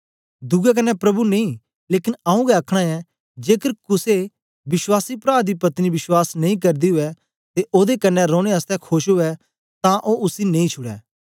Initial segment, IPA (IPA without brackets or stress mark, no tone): d̪